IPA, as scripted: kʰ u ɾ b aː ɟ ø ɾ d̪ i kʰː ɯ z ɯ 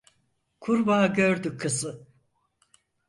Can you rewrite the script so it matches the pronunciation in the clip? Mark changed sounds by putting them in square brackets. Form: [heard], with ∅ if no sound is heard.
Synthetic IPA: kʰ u ɾ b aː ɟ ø ɾ d̪ [y] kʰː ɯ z ɯ